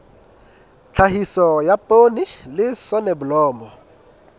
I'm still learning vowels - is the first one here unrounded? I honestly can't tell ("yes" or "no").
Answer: yes